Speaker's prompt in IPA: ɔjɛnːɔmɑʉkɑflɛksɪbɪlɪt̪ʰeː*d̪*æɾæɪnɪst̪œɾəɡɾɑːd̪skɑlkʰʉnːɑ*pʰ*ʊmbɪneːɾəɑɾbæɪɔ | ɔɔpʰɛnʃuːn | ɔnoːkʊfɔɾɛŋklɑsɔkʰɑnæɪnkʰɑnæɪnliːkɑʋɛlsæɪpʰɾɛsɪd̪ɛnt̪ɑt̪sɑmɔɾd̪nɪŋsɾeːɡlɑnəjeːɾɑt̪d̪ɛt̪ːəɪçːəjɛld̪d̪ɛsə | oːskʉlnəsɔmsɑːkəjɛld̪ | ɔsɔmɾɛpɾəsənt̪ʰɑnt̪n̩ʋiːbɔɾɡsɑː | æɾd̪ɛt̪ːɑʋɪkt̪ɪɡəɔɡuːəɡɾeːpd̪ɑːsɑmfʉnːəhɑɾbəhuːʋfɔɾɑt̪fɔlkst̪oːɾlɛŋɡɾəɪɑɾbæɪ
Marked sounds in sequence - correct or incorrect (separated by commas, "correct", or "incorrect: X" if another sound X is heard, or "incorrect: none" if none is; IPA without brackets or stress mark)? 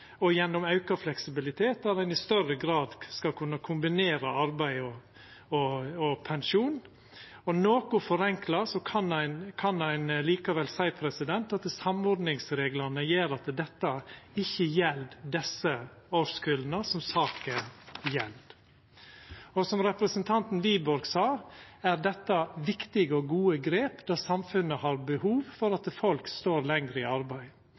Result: incorrect: t̪, incorrect: kʰ